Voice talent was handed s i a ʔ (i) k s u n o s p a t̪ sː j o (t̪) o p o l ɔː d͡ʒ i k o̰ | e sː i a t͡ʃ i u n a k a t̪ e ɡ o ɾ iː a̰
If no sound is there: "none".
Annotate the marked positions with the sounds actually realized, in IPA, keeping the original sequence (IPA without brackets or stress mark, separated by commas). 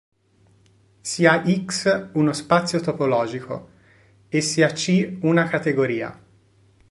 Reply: i, t̪